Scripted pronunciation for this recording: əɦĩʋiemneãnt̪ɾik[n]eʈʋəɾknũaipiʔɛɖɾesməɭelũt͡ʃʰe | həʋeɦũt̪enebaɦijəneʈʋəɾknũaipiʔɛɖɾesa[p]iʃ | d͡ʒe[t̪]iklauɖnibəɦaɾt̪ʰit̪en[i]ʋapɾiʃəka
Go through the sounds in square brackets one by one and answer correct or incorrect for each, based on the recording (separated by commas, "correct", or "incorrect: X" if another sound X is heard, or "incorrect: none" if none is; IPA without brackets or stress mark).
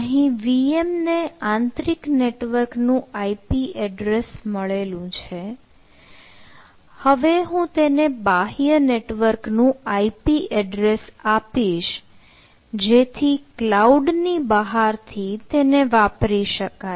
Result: correct, correct, incorrect: t̪ʰ, incorrect: e